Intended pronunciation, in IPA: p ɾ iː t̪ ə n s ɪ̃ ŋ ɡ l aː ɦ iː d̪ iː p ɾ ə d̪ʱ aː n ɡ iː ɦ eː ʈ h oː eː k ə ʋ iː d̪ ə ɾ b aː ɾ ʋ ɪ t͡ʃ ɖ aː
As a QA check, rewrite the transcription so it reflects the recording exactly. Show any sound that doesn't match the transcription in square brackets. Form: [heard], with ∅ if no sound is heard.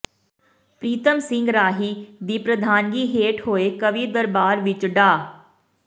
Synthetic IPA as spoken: p ɾ iː t̪ ə [m] s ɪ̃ ŋ ɡ [ɾ] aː ɦ iː d̪ iː p ɾ ə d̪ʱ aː n ɡ iː ɦ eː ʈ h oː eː k ə ʋ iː d̪ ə ɾ b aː ɾ ʋ ɪ t͡ʃ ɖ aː